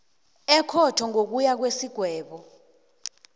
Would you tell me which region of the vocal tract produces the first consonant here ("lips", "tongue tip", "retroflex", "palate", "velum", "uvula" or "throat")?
velum